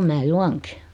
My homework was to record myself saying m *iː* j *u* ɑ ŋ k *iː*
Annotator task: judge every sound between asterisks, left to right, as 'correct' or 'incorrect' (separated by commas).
incorrect, correct, incorrect